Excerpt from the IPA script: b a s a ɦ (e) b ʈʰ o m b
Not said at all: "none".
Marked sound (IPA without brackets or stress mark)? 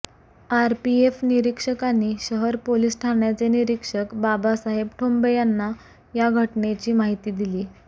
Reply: e